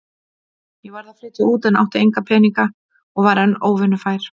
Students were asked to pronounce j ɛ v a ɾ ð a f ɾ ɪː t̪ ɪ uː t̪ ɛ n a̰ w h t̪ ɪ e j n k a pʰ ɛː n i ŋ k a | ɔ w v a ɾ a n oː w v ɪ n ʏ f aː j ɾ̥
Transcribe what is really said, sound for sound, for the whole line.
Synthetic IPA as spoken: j ɛ v a ɾ ð a f ɾ ɪː t̪ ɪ uː t̪ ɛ n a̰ w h t̪ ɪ e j ŋ k a pʰ ɛː n i ŋ k a | ɔ ɣ v a ɾ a n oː w v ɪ n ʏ f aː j ɾ̥